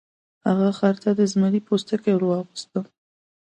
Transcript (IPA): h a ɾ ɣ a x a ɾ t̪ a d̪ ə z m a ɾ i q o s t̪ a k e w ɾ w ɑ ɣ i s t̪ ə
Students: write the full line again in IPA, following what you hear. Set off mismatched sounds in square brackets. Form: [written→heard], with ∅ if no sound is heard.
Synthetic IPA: h a [ɾ→∅] ɣ a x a ɾ t̪ a d̪ ə z m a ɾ i [q→p] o s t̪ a k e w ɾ w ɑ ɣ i s t̪ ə